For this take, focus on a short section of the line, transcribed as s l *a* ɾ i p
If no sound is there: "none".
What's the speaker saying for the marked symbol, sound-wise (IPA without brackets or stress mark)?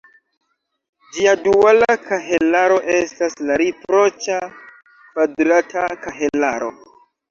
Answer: a